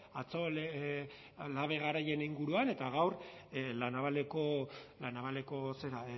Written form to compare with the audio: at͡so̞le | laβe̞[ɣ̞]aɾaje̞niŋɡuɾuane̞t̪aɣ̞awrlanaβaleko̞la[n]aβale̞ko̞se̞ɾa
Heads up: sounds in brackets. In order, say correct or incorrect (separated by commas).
correct, correct